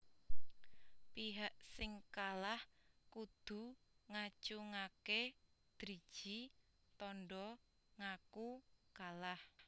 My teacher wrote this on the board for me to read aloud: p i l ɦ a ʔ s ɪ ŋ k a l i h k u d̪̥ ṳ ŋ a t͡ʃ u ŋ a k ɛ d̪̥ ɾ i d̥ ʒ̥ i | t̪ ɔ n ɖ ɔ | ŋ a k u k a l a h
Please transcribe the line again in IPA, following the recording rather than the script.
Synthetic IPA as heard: p i ɦ a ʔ s ɪ ŋ k a l a h k u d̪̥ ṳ ŋ a t͡ʃ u ŋ a k e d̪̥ ɾ i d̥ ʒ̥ i | t̪ ɔ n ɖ ɔ | ŋ a k u k a l a h